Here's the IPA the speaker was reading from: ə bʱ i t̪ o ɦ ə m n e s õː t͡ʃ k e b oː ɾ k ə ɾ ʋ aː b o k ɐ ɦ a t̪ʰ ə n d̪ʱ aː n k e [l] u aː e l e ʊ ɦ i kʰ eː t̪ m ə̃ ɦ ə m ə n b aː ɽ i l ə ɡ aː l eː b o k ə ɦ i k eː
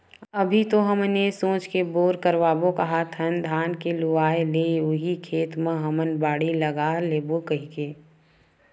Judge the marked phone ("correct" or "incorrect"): correct